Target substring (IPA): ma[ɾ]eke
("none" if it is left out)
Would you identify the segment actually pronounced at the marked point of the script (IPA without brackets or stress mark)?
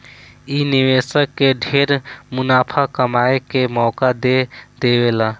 none